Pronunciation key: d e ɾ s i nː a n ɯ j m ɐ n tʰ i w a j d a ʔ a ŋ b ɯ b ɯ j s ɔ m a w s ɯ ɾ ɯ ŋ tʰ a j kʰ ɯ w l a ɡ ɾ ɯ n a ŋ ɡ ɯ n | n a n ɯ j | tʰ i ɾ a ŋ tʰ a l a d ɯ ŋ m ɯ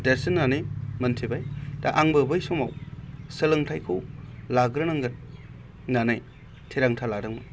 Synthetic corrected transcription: d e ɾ s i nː a n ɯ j m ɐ n tʰ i b a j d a ʔ a ŋ b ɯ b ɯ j s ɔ m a w s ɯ l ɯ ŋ tʰ a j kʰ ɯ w l a ɡ ɾ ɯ n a ŋ ɡ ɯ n | n a n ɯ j | tʰ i ɾ a ŋ tʰ a l a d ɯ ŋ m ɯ